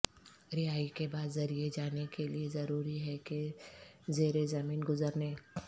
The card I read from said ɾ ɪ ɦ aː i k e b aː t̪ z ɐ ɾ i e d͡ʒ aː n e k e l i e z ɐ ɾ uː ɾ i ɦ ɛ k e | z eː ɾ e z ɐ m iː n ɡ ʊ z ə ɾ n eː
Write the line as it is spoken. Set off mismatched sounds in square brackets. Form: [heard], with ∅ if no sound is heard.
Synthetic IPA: ɾ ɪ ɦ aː i k e b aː [d̪] z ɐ ɾ i e d͡ʒ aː n e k e l i e z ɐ ɾ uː ɾ i ɦ ɛ k e | z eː ɾ e z ɐ m iː n ɡ ʊ z ə ɾ n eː